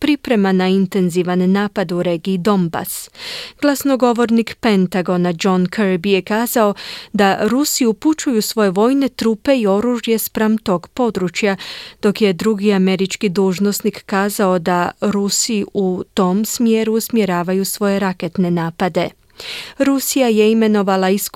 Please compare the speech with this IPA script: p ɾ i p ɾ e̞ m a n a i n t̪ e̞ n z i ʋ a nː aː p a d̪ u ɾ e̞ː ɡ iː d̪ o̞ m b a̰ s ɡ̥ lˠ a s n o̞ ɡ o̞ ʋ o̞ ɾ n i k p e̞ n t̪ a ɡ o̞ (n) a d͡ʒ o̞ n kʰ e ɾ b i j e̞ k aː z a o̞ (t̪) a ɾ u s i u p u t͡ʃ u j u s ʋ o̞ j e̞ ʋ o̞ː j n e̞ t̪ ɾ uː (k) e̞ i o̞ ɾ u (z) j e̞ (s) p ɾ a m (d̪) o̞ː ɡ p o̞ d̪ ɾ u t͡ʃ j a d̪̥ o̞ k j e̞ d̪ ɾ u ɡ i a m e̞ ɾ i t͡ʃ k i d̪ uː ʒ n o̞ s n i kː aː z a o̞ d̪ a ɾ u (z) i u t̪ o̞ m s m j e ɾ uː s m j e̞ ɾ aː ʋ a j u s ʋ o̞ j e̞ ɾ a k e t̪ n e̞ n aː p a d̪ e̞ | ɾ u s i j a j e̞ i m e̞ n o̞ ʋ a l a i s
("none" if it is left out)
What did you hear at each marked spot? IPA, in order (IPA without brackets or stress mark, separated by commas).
n, d̪, p, ʒ, s, t̪, s